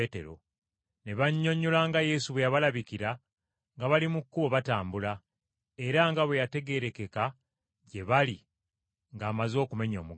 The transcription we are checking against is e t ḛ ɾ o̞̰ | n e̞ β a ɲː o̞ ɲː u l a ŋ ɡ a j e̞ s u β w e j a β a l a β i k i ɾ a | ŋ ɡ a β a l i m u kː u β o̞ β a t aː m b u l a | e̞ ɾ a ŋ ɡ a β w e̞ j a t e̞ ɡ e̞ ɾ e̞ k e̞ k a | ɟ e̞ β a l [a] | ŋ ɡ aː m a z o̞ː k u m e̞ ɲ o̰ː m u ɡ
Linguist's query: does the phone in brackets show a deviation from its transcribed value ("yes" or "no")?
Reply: yes